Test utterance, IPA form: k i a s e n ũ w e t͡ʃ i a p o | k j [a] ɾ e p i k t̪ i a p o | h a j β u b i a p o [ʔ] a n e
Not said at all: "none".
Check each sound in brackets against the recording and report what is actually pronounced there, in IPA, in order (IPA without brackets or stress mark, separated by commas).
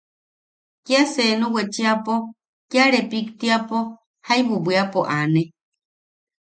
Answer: a, ʔ